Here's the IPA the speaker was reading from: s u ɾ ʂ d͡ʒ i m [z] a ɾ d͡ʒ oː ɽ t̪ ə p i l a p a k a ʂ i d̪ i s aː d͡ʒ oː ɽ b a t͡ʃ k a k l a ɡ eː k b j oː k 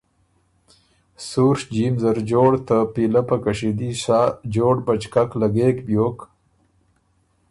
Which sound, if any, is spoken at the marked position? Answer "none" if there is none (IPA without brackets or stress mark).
z